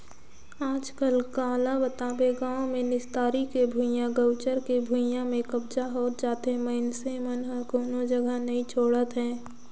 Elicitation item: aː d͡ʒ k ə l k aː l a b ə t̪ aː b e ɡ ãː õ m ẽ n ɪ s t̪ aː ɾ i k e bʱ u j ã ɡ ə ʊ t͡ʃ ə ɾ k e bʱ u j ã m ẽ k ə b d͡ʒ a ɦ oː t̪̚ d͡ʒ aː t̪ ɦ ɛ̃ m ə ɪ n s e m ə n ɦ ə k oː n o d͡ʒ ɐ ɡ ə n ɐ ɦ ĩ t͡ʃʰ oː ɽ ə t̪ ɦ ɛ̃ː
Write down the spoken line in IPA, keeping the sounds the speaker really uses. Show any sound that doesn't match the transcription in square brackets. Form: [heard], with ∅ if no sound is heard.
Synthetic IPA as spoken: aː d͡ʒ k ə l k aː l a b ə t̪ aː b e ɡ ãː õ m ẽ n ɪ s t̪ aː ɾ i k e bʱ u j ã ɡ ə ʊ t͡ʃ ə ɾ k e bʱ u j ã m ẽ k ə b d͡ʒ a ɦ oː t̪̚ d͡ʒ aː t̪ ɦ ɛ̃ m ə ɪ n s e m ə n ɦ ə k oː n o d͡ʒ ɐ ɡ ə n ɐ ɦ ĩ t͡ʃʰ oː ɽ ə t̪ ɦ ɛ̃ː